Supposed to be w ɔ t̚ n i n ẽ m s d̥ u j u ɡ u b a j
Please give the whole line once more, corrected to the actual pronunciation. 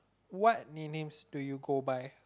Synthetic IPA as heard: w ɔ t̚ n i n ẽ m s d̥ u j u ɡ o b a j